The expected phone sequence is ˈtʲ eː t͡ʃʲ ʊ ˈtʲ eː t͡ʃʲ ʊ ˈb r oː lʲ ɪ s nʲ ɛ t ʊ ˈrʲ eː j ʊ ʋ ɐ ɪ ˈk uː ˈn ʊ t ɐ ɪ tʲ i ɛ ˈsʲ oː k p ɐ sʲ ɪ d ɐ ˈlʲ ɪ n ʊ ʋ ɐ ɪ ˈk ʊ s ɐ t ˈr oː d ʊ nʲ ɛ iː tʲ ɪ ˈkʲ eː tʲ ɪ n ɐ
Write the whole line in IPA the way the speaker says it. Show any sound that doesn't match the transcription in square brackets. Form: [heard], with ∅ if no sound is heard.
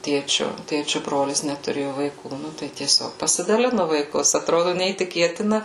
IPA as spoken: ˈtʲ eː t͡ʃʲ ʊ ˈtʲ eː t͡ʃʲ ʊ ˈb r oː lʲ ɪ s nʲ ɛ t ʊ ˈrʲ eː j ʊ ʋ ɐ ɪ ˈk uː ˈn ʊ t ɐ ɪ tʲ i ɛ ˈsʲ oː k p ɐ sʲ ɪ d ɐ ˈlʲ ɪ n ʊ ʋ ɐ ɪ ˈk ʊ s ɐ t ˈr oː d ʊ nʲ ɛ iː tʲ ɪ ˈkʲ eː tʲ ɪ n ɐ